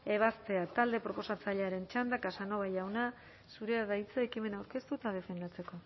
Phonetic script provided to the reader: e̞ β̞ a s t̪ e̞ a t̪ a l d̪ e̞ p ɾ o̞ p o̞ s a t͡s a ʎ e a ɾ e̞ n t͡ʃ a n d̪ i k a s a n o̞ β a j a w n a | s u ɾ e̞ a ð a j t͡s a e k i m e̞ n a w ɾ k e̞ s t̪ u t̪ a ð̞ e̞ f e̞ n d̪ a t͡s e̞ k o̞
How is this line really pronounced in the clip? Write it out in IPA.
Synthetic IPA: e̞ β̞ a s t̪ e̞ a t̪ a l d̪ e̞ p ɾ o̞ p o̞ s a t͡s a ʎ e a ɾ e̞ n t͡ʃ a n d̪ a k a s a n o̞ β a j a w n a | s u ɾ e̞ a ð a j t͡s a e k i m e̞ n a w ɾ k e̞ s t̪ u t̪ a ð̞ e̞ f e̞ n d̪ a t͡s e̞ k o̞